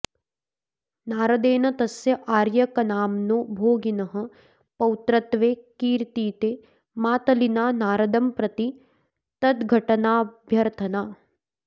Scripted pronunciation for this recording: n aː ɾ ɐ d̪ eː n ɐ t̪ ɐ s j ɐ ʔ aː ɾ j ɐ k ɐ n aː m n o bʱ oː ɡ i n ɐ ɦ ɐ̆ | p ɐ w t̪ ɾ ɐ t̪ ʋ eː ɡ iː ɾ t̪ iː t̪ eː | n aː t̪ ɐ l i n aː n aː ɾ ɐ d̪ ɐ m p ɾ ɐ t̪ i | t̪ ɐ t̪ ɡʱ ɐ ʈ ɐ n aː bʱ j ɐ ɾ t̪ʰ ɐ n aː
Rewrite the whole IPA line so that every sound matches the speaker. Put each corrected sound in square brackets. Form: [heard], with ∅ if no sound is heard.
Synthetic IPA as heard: n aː ɾ ɐ d̪ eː n ɐ t̪ ɐ s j ɐ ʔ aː ɾ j ɐ k ɐ n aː m n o bʱ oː ɡ i n ɐ ɦ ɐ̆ | p ɐ w t̪ ɾ ɐ t̪ ʋ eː [k] iː ɾ t̪ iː t̪ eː | [m] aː t̪ ɐ l i n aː n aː ɾ ɐ d̪ ɐ m p ɾ ɐ t̪ i | t̪ ɐ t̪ ɡʱ ɐ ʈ ɐ n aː bʱ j ɐ ɾ t̪ʰ ɐ n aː